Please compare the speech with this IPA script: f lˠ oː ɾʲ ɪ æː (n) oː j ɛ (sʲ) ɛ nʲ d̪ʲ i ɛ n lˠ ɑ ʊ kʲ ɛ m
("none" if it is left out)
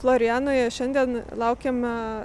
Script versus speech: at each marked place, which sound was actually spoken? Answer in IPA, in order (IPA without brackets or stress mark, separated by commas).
n, ʃʲ